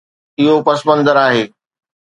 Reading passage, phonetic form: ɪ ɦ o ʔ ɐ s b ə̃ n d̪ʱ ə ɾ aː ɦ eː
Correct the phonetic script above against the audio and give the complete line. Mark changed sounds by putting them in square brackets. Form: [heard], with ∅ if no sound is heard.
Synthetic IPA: ɪ ɦ o [p] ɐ s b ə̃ n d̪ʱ ə ɾ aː ɦ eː